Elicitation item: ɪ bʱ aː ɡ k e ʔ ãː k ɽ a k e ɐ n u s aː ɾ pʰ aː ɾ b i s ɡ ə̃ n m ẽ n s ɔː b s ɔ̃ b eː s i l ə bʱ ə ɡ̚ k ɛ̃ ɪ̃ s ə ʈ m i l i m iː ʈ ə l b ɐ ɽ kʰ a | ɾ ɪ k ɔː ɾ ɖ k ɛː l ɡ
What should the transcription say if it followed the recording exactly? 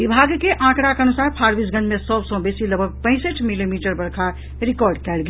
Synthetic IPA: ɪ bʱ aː ɡ k e ʔ ãː k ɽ a k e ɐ n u s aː ɾ pʰ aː ɾ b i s ɡ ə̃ n m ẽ s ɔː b s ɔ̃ b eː s i l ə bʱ ə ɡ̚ p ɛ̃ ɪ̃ s ə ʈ m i l i m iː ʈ ə ɾ b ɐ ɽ kʰ a | ɾ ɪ k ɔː ɾ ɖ k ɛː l ɡ